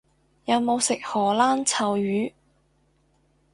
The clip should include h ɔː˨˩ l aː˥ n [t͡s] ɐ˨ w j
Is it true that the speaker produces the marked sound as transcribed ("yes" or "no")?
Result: no